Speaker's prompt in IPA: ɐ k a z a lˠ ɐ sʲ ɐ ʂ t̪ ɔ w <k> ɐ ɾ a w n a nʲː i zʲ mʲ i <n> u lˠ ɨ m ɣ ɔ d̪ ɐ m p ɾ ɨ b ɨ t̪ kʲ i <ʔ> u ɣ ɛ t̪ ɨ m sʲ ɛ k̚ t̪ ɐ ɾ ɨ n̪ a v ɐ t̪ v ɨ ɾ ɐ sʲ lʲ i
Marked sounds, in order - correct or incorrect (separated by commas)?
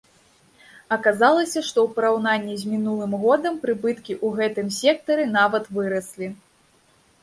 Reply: incorrect, correct, correct